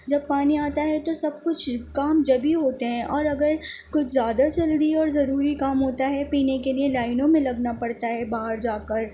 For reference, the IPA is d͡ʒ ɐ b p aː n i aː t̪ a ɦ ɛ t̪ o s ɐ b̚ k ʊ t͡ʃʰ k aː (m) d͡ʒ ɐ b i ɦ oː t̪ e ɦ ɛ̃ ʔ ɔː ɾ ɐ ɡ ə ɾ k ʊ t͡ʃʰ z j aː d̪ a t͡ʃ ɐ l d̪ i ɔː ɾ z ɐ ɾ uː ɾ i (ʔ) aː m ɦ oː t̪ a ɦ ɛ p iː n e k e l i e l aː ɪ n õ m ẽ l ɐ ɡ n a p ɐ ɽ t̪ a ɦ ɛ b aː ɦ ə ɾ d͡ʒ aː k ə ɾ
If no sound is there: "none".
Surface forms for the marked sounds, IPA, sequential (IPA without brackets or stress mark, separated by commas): m, k